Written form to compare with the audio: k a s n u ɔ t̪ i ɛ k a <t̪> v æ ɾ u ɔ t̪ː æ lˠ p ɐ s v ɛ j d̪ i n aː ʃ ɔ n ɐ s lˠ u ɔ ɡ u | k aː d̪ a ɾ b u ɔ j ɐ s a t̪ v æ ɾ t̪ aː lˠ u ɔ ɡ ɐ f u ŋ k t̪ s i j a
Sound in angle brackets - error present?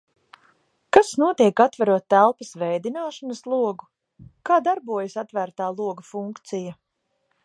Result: no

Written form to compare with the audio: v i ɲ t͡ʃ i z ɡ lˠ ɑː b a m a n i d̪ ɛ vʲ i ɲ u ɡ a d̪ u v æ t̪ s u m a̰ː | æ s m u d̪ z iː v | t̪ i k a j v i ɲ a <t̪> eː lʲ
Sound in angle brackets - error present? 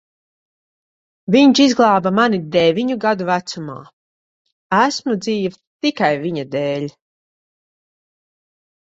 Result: yes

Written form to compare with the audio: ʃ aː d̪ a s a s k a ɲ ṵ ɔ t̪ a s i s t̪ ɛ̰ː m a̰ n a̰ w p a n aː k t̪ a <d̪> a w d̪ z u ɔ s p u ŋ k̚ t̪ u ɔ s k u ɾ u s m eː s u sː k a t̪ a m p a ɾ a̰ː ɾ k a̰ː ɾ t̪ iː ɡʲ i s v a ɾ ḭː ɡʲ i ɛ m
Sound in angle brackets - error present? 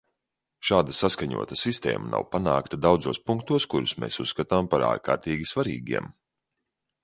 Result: no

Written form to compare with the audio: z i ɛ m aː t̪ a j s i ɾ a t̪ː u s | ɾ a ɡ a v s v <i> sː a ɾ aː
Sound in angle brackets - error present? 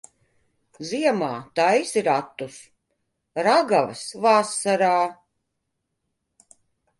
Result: yes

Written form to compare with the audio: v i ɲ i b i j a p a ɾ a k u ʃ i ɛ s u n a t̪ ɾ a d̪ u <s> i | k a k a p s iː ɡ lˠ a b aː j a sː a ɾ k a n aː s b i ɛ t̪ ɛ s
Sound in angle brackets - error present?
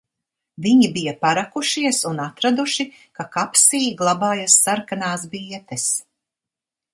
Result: yes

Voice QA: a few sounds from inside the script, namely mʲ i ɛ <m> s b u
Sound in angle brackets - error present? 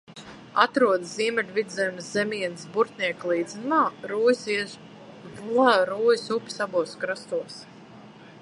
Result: yes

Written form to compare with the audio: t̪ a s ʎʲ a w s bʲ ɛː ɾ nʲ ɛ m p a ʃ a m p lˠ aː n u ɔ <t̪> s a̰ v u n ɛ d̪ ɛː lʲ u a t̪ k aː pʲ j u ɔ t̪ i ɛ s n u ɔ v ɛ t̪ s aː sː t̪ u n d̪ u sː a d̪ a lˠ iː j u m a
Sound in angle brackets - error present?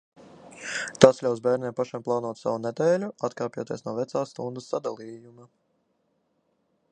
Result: no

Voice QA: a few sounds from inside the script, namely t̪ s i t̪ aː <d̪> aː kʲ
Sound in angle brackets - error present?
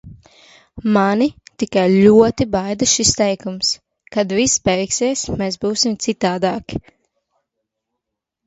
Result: no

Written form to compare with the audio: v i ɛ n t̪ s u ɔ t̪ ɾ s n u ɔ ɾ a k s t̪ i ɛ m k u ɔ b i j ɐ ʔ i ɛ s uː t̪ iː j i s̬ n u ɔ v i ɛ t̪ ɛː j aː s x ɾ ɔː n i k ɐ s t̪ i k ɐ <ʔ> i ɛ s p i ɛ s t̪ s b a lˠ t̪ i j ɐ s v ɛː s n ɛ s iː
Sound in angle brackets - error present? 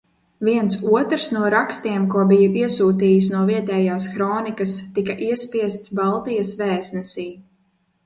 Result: no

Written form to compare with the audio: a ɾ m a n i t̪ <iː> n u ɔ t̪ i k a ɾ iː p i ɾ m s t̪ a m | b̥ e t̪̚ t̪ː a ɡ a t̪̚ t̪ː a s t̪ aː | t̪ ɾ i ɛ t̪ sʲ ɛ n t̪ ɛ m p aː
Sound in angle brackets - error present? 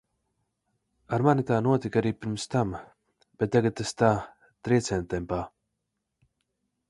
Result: yes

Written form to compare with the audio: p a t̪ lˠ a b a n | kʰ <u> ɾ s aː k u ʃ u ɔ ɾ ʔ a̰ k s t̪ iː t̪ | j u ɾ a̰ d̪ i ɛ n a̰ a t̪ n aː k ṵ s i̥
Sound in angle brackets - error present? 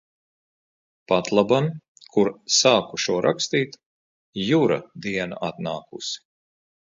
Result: no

